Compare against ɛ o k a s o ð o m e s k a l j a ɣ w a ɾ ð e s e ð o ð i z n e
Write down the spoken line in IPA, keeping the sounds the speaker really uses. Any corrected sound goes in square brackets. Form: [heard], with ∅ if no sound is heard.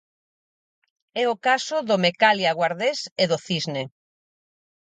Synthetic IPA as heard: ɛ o k a s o ð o m e [∅] k a l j a ɣ w a ɾ ð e s e ð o [θ] i z n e